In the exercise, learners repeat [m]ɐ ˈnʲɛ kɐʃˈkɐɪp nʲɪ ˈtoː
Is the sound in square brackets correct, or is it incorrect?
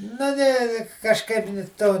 incorrect